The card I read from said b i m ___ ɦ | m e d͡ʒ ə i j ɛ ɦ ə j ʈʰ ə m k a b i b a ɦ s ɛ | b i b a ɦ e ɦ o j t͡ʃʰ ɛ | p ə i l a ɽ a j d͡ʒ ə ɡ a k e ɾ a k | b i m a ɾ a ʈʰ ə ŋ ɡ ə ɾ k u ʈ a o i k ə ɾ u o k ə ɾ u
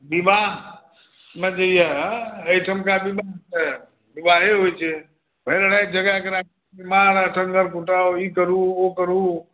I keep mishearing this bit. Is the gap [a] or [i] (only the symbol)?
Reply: a